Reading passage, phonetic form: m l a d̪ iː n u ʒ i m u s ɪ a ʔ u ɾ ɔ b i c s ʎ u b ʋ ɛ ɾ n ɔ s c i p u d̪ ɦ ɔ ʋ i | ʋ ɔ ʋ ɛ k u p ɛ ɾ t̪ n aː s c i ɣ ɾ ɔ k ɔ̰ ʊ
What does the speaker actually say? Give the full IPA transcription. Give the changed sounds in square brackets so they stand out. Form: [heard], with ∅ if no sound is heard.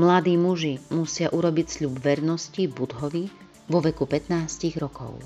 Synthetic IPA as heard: m l a d̪ iː [m] u ʒ i m u s ɪ a ʔ u ɾ ɔ b i c s ʎ u b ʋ ɛ ɾ n ɔ s c i [b] u d̪ ɦ ɔ ʋ i | ʋ ɔ ʋ ɛ k u p ɛ [∅] t̪ n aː s c i ɣ ɾ ɔ k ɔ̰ ʊ